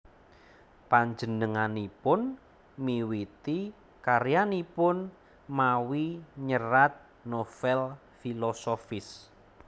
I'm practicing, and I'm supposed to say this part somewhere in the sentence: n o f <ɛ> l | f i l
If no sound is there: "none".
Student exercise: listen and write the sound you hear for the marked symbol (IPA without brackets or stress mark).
ɛ